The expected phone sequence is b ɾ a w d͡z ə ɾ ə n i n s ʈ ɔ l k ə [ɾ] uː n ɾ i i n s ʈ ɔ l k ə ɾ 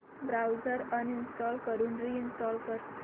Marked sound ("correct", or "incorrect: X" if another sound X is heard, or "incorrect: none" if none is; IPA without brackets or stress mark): correct